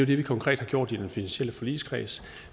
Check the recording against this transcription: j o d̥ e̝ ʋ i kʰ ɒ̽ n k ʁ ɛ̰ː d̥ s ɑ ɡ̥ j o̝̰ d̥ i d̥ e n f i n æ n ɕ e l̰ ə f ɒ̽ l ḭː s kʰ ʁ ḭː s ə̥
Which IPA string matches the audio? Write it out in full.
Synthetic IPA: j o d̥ e̝ ʋ i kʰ ɒ̽ ŋ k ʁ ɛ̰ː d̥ h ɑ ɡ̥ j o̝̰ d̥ i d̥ e n f i n æ n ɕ e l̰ ə f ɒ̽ l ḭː s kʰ ʁ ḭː s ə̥